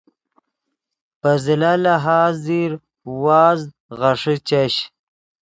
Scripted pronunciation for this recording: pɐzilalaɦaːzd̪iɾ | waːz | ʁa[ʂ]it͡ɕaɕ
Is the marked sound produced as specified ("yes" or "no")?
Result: yes